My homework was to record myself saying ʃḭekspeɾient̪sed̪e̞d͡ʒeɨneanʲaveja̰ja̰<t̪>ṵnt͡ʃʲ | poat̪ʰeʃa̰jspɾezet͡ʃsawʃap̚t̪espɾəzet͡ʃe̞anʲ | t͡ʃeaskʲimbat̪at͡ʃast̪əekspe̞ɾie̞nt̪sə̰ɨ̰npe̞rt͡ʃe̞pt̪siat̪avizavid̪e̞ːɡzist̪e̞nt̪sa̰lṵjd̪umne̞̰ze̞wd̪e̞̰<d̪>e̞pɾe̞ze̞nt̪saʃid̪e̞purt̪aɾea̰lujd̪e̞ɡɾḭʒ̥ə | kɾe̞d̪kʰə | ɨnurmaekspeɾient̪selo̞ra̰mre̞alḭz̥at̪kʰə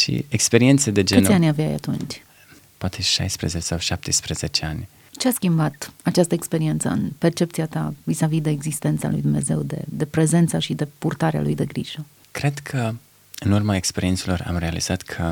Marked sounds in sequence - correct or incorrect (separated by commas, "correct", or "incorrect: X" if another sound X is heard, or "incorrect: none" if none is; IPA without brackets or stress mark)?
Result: correct, correct